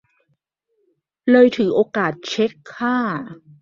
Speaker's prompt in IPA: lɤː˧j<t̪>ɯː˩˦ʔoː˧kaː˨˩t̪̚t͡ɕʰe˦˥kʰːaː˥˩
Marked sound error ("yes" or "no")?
yes